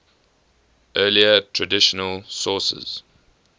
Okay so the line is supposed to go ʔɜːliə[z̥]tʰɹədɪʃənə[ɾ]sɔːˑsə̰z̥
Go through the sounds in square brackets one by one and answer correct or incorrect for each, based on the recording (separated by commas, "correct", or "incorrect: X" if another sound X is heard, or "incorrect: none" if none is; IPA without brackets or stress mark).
incorrect: none, incorrect: l